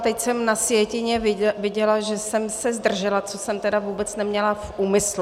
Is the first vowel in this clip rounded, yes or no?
no